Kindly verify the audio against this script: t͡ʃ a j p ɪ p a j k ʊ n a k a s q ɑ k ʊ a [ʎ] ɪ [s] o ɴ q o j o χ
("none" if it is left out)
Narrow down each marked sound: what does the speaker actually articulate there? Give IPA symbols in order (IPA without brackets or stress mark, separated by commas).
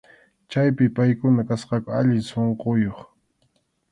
ʎ, s